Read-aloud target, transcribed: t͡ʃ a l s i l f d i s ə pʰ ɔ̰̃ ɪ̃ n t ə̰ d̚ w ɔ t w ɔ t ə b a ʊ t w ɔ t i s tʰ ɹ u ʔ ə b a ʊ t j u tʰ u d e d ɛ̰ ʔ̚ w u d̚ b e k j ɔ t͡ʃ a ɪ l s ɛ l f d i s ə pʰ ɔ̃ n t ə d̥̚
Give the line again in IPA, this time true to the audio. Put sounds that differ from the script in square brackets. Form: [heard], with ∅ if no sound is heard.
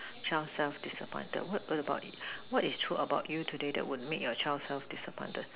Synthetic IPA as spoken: t͡ʃ a l s [ɛ] l f d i s ə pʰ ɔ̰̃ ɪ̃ n t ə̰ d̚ w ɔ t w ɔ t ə b a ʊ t w ɔ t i s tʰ ɹ u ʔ ə b a ʊ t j u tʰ u d e d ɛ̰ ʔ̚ w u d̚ [m] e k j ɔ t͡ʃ a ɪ l s ɛ l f d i s ə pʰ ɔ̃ n t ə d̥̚